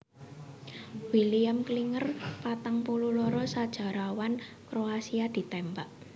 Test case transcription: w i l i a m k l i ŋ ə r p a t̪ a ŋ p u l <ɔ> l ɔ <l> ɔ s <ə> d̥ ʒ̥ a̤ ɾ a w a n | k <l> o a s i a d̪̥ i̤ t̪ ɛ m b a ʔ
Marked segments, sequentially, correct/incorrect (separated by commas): incorrect, incorrect, incorrect, incorrect